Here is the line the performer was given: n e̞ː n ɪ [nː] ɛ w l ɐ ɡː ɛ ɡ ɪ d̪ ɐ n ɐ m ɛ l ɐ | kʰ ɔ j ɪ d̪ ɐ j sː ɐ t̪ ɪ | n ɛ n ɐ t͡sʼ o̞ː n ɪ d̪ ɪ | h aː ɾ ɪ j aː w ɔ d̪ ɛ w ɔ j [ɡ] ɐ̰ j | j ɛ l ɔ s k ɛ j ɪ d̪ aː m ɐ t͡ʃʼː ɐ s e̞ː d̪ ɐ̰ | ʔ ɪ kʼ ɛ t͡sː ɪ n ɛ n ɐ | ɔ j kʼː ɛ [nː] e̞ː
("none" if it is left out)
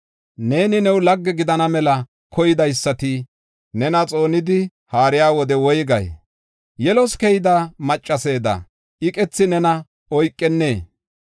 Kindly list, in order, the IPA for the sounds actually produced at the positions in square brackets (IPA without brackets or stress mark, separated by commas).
n, ɡ, nː